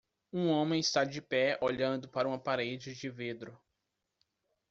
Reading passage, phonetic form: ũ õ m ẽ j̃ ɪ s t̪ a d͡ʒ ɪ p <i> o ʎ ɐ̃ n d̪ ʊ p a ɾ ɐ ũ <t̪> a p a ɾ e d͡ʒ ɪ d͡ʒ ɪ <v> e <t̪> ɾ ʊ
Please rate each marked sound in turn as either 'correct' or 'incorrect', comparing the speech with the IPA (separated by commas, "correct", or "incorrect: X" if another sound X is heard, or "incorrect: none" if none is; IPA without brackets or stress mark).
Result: incorrect: ɛ, incorrect: none, correct, incorrect: d̪